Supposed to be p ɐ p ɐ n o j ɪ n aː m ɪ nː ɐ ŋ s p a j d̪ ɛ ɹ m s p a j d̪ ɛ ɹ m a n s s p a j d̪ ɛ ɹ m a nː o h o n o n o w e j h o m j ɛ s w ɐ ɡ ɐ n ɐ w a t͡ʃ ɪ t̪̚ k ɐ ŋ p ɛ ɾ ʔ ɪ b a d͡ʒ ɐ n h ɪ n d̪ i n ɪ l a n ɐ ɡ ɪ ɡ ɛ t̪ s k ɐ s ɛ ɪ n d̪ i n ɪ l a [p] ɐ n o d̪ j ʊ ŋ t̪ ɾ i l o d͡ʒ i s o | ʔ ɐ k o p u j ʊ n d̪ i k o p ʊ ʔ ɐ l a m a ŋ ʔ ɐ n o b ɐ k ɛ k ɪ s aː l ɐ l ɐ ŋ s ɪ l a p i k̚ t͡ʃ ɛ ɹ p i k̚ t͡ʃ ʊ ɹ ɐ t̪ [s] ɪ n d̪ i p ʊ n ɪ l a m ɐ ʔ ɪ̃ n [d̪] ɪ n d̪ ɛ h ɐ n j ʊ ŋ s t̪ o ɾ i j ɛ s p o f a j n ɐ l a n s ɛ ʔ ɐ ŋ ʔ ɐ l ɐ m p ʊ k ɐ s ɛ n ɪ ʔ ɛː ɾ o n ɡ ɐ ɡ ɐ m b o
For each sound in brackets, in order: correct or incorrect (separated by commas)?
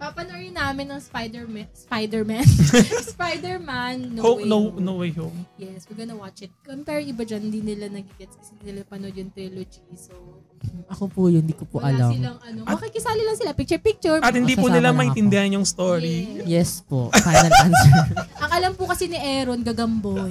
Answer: correct, incorrect, incorrect